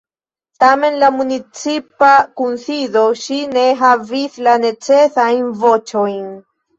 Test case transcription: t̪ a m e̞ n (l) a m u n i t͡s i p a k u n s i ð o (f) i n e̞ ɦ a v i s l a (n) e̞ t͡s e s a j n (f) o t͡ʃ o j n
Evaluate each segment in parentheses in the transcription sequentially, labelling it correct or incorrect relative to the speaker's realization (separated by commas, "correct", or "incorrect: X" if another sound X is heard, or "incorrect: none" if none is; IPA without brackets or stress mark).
correct, incorrect: ʃ, correct, incorrect: v